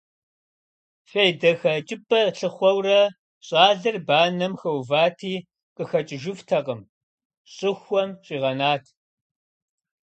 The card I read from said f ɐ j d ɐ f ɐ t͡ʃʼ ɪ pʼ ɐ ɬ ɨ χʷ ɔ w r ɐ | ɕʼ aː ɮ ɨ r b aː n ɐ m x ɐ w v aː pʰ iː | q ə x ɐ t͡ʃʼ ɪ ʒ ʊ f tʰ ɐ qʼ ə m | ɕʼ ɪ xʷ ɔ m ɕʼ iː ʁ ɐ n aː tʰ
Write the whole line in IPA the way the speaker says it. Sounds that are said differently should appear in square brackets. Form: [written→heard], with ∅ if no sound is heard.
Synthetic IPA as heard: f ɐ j d ɐ [f→x] ɐ t͡ʃʼ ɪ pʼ ɐ ɬ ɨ χʷ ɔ w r ɐ | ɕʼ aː ɮ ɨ r b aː n ɐ m x ɐ w v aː [pʰ→tʰ] iː | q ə x ɐ t͡ʃʼ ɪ ʒ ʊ f tʰ ɐ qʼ ə m | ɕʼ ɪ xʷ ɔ m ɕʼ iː ʁ ɐ n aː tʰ